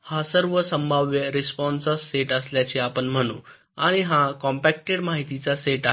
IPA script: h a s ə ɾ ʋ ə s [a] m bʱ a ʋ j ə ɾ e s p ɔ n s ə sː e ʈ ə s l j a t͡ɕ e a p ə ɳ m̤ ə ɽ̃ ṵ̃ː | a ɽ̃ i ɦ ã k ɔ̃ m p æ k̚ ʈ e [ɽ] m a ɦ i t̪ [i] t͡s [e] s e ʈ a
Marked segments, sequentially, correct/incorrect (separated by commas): incorrect, correct, correct, incorrect